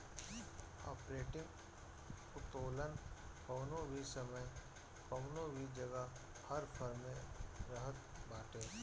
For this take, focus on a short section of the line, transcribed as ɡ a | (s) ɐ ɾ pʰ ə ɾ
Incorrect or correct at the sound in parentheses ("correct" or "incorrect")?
incorrect